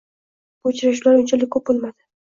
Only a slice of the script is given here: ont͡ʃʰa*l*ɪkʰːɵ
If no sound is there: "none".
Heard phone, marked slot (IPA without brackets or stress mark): l